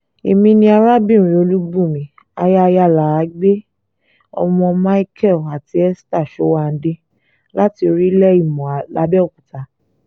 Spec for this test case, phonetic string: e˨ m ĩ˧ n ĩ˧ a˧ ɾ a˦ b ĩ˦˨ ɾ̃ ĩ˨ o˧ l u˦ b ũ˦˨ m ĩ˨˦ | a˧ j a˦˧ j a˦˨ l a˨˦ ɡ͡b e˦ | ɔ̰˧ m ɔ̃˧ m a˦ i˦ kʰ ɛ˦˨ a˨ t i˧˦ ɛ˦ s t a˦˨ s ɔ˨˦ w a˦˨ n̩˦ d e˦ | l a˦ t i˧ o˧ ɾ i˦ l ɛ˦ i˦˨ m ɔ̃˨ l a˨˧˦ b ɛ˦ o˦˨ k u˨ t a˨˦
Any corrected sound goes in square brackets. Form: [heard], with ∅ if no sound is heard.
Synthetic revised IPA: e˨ m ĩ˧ n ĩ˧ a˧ ɾ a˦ b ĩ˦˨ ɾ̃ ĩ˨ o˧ l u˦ b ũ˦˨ m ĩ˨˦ | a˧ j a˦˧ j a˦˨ l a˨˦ ɡ͡b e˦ | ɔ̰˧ m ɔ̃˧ m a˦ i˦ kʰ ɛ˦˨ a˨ t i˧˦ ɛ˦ s t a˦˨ [ʃ] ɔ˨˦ w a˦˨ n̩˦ d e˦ | l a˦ t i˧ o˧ ɾ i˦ l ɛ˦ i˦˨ m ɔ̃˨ l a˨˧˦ b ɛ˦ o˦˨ k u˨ t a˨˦